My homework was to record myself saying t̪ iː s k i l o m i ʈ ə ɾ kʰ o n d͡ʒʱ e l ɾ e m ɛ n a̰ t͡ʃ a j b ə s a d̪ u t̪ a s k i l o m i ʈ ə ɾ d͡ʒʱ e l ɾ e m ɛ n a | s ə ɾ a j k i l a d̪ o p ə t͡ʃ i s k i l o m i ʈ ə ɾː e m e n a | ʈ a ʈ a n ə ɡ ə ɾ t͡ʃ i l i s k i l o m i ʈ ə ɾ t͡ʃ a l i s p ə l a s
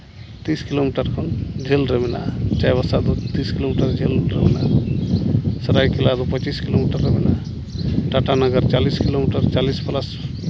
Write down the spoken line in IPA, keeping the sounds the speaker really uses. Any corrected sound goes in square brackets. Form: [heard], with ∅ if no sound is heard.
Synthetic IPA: t̪ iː s k i l o m i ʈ ə ɾ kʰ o n d͡ʒʱ e l ɾ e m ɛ n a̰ t͡ʃ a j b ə s a d̪ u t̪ [i] s k i l o m i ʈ ə ɾ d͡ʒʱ e l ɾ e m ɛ n a | s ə ɾ a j k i l a d̪ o p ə t͡ʃ i s k i l o m i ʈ ə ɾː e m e n a | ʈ a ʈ a n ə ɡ ə ɾ t͡ʃ [a] l i s k i l o m i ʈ ə ɾ t͡ʃ a l i s p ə l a s